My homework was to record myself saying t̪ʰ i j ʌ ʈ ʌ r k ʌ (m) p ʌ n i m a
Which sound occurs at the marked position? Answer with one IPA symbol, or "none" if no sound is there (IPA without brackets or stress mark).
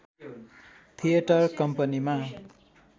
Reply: m